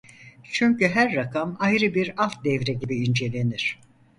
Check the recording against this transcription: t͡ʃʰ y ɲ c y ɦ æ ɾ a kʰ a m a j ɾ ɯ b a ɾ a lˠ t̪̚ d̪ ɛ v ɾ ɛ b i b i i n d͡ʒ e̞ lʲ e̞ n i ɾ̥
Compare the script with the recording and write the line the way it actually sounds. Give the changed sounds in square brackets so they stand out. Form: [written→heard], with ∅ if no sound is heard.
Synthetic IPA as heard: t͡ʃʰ y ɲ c y ɦ æ [ɾ→ɾː] a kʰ a m a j ɾ ɯ b [a→i] ɾ a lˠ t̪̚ d̪ ɛ v ɾ ɛ [b→ɟ] i b i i n d͡ʒ e̞ lʲ e̞ n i ɾ̥